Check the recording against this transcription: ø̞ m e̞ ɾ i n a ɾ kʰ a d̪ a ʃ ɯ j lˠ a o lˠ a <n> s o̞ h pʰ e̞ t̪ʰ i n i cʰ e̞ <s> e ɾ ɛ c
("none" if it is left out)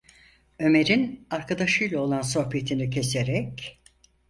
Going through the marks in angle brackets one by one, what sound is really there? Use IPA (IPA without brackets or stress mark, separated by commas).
n, s